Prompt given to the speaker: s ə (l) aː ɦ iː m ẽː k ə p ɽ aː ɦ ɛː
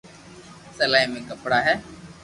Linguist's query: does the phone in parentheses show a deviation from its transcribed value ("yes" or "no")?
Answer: no